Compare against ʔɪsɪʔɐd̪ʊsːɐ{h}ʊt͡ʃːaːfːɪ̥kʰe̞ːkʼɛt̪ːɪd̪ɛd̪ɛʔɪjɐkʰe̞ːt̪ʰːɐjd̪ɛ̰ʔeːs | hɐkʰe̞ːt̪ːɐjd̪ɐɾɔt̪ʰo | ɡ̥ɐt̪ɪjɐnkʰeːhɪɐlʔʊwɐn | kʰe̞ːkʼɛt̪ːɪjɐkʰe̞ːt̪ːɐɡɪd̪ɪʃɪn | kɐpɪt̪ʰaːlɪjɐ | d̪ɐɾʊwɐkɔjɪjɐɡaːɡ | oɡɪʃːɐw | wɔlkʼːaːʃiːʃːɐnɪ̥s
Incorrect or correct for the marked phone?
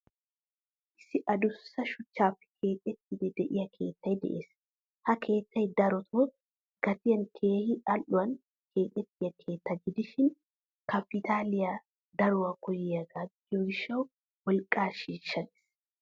incorrect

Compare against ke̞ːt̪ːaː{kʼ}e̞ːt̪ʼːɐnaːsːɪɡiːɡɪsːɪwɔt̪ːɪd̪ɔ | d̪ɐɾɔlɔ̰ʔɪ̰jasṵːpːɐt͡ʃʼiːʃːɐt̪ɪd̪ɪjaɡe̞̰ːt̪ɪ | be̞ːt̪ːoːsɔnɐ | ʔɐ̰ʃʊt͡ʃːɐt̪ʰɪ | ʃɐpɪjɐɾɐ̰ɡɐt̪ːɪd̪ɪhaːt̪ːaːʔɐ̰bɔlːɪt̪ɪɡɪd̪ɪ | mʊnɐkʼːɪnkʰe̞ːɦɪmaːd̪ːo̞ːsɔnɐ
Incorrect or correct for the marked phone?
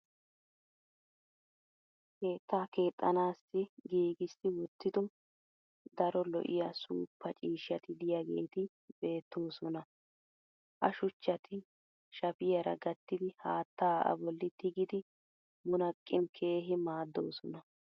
incorrect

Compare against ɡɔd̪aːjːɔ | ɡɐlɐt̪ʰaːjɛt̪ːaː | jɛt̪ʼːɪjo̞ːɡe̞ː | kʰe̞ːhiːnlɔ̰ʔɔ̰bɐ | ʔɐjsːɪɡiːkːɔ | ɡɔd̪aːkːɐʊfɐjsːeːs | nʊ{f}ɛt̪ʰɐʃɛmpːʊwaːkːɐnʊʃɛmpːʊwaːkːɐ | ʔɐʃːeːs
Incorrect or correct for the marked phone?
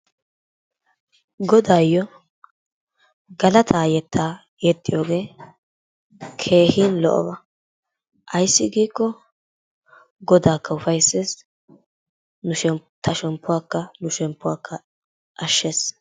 incorrect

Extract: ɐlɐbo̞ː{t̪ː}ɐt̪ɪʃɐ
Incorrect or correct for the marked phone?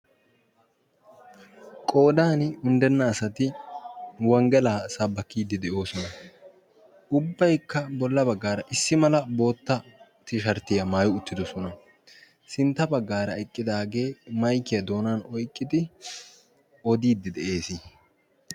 correct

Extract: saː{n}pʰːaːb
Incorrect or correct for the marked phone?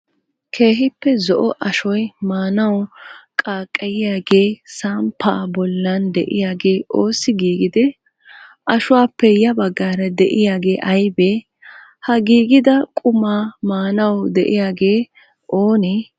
incorrect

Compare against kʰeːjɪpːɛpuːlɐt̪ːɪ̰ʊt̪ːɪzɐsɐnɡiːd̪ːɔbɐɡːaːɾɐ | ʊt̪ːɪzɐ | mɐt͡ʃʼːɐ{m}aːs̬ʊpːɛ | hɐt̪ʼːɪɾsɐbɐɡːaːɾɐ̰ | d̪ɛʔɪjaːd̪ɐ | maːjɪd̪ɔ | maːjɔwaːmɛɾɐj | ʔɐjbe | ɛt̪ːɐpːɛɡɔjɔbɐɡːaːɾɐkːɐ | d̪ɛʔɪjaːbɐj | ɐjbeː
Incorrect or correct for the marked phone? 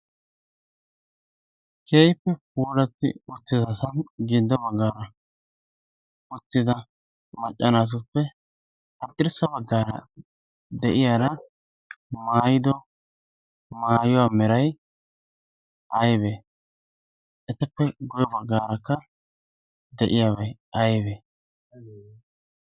incorrect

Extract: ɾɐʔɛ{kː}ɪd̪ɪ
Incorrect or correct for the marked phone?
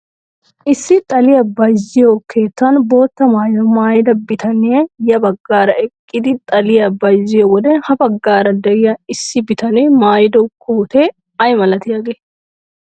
incorrect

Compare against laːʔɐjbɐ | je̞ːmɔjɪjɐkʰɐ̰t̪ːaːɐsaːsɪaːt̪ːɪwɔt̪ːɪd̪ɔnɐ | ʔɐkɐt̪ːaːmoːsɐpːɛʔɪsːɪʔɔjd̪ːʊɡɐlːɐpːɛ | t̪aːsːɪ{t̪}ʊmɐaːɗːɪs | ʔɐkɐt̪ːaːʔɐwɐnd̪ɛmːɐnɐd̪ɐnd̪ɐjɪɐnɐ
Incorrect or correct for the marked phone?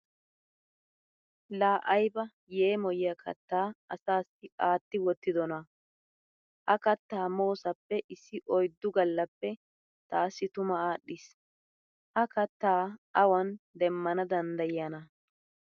correct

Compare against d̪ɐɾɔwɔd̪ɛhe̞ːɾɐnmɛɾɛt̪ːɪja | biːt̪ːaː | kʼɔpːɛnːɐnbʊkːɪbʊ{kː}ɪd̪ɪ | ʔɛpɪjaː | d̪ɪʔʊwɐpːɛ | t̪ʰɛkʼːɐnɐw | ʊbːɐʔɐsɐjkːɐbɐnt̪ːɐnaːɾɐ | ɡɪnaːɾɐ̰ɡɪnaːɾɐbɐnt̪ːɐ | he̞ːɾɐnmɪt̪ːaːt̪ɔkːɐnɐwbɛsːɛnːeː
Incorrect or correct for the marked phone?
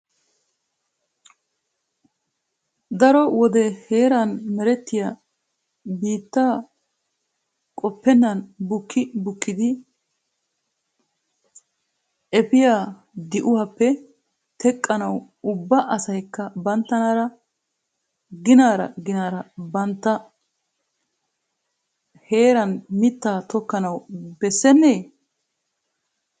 correct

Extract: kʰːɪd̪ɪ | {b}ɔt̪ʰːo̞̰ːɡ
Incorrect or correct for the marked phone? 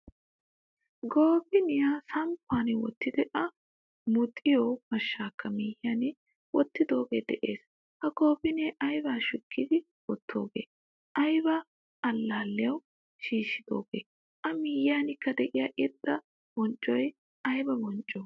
incorrect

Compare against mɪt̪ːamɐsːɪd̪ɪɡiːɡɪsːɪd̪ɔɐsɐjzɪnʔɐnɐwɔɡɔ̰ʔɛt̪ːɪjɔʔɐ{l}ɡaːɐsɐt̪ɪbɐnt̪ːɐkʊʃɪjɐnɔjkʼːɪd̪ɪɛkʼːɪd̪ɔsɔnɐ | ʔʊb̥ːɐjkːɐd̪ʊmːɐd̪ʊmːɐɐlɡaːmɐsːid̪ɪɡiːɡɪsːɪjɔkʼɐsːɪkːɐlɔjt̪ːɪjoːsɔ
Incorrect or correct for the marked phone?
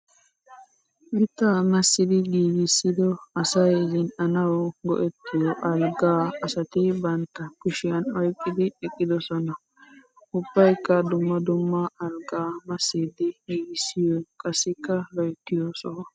correct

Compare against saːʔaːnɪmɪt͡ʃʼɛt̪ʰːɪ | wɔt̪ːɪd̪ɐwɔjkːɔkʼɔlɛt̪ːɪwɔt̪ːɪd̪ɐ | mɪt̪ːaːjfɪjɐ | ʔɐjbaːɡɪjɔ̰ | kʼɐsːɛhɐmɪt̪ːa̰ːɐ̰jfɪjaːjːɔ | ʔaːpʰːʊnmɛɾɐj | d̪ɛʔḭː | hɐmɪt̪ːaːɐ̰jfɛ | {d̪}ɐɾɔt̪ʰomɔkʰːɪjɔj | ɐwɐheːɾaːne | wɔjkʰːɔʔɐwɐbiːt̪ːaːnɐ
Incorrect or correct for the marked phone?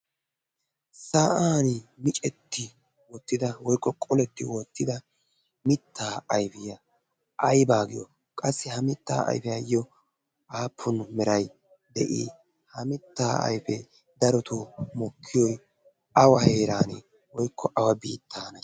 correct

